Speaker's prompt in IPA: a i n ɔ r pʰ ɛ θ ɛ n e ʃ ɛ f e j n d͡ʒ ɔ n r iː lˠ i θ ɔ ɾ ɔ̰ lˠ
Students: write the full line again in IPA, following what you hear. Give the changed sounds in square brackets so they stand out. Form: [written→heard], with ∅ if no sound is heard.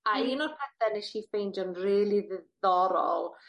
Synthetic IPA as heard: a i n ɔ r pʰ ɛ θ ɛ n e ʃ [ɛ→i] f e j n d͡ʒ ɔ n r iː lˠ i [θ→ð] ɔ ɾ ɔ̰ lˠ